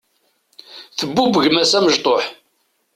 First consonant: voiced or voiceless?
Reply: voiceless